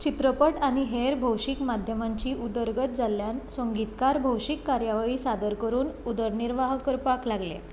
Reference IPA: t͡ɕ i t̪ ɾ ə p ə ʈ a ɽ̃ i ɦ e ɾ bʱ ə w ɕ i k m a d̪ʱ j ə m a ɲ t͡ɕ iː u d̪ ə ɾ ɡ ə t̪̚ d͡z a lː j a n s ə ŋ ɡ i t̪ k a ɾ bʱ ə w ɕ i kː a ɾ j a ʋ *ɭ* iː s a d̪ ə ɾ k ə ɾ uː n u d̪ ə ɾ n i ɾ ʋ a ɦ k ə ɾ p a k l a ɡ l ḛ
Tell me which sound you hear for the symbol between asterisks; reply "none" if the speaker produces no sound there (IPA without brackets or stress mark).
ɭ